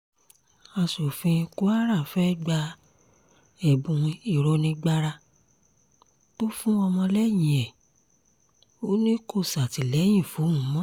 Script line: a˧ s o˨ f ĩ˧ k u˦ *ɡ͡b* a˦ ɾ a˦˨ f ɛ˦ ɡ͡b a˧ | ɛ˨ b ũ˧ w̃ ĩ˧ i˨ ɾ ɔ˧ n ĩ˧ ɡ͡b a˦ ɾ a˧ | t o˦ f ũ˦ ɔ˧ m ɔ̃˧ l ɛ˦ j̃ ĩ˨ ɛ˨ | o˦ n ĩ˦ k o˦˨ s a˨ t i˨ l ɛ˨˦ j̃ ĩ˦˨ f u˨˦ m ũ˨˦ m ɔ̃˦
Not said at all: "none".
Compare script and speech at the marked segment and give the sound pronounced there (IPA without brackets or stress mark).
none